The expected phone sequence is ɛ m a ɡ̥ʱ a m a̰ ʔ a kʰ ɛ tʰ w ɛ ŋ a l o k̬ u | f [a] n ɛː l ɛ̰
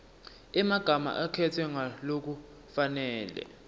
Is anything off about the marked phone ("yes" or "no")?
no